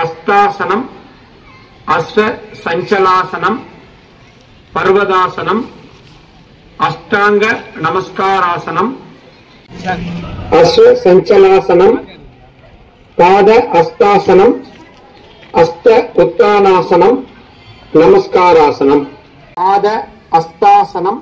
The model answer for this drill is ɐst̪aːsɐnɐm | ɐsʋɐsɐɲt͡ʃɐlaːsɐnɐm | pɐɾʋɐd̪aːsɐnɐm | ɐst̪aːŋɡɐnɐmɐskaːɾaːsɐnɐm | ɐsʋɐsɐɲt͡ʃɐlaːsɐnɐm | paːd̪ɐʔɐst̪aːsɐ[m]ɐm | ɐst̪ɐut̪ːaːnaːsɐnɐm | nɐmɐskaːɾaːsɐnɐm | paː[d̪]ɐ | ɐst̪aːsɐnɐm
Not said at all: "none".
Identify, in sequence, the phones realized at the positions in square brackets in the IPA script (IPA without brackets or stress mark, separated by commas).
n, d̪